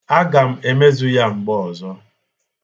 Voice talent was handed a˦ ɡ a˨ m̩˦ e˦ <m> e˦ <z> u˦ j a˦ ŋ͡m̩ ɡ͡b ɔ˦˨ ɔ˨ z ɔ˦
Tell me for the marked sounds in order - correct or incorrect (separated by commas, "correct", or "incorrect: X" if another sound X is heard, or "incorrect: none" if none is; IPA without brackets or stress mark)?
correct, correct